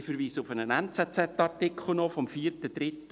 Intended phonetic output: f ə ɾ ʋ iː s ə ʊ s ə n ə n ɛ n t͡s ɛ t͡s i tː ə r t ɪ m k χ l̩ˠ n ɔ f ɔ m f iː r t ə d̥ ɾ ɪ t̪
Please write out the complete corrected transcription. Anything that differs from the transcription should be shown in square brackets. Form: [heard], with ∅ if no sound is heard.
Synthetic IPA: f ə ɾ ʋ iː s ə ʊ [f] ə n ə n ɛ n t͡s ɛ t͡s [ɛ] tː [ɑ] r t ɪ [∅] k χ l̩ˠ n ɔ f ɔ m f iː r t ə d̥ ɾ ɪ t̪

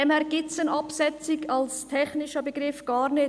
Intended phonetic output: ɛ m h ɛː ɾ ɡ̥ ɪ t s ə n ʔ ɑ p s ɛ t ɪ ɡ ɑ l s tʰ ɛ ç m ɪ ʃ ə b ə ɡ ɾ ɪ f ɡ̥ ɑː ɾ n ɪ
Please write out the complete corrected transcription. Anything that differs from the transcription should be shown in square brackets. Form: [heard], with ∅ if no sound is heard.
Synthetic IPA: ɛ m h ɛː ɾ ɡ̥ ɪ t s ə n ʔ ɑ p s ɛ [t͡s] ɪ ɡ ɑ l s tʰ ɛ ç [n] ɪ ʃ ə b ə ɡ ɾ ɪ f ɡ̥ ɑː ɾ n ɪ

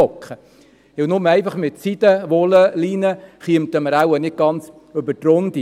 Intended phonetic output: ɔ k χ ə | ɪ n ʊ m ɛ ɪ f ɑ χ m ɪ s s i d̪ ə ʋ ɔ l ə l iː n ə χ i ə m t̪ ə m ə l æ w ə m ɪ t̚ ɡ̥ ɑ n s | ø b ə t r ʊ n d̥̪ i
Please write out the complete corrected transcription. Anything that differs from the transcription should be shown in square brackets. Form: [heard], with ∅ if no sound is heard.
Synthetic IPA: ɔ k χ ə | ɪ n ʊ m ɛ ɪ f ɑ χ m ɪ [t] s i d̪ ə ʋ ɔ l ə l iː n ə χ i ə m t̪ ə m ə [ɾ] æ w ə [n] ɪ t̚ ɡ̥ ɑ n [t͡s] | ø b ə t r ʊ n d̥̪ i

